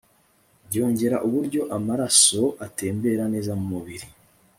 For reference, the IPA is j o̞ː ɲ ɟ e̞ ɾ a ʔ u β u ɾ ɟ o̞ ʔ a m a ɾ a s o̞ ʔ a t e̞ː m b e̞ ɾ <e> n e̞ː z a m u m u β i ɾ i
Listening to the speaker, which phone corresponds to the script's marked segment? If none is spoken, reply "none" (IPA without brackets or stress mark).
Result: a